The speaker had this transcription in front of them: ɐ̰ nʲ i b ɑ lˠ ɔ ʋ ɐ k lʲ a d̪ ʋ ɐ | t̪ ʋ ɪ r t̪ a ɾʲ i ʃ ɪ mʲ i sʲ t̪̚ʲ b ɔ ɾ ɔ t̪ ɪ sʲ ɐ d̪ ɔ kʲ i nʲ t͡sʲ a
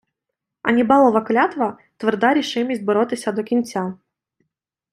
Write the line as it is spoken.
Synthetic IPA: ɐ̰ nʲ i b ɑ lˠ ɔ ʋ ɐ k lʲ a t̪ ʋ ɐ | t̪ ʋ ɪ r d̪ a ɾʲ i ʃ ɪ mʲ i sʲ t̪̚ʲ b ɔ ɾ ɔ t̪ ɪ sʲ ɐ d̪ ɔ kʲ i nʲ t͡sʲ a